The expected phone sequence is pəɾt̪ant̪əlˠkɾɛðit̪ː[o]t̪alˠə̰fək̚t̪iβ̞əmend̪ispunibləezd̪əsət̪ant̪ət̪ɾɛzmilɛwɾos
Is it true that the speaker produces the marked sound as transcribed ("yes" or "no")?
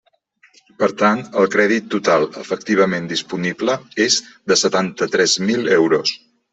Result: no